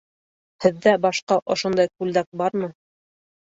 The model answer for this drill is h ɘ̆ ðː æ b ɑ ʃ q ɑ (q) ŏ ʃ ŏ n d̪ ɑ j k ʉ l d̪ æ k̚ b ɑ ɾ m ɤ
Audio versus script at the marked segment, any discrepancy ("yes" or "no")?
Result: yes